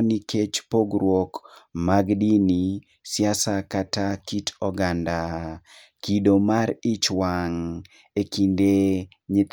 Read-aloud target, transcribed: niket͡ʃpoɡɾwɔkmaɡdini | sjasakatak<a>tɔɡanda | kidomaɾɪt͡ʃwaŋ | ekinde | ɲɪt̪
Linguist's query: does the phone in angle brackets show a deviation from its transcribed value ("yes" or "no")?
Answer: yes